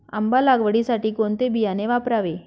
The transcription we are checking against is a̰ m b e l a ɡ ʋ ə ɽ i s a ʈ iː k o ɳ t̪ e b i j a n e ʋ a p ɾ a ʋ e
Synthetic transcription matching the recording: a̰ m b a l a ɡ ʋ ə ɽ i s a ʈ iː k o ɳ t̪ e b i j a n e ʋ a p ɾ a ʋ e